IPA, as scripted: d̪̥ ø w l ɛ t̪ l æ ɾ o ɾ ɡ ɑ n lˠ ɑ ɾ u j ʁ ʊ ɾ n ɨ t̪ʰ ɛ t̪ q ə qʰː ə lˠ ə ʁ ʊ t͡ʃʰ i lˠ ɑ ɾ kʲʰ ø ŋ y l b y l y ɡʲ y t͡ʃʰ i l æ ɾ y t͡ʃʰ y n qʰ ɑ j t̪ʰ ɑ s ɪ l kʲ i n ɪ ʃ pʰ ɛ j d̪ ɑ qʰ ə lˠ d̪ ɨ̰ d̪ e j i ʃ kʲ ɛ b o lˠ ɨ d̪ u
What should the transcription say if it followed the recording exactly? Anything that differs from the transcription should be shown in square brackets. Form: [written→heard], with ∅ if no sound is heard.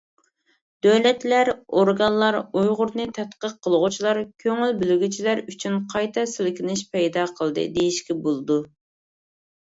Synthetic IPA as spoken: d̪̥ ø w l ɛ t̪ l æ ɾ o ɾ ɡ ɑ n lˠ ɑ ɾ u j ʁ ʊ ɾ n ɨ t̪ʰ ɛ t̪ q ə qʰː ə lˠ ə ʁ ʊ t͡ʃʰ i lˠ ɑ ɾ kʲʰ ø ŋ y l b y l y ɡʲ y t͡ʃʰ i l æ ɾ y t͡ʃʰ y n qʰ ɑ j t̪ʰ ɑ s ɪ l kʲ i n ɪ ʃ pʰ ɛ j d̪ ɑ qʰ ə lˠ d̪ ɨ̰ d̪ e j i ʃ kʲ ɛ b o lˠ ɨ d̪ u